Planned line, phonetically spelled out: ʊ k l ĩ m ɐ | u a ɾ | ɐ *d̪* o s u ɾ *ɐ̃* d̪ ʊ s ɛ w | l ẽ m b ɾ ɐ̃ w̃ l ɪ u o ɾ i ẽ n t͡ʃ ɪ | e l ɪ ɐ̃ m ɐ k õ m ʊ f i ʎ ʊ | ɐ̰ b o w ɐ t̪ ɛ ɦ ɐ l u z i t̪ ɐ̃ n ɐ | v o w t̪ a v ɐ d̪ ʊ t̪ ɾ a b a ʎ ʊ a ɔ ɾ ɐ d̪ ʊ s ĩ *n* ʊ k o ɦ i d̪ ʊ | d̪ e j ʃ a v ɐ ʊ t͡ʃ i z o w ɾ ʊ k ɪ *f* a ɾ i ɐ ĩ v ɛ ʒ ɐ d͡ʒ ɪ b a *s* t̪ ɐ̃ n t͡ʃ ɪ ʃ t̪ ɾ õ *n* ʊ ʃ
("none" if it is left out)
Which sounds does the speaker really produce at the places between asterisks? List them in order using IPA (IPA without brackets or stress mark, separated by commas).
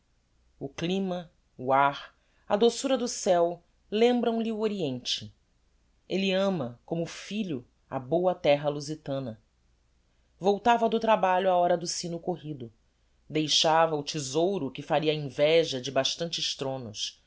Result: d̪, ɐ, n, f, ʃ, n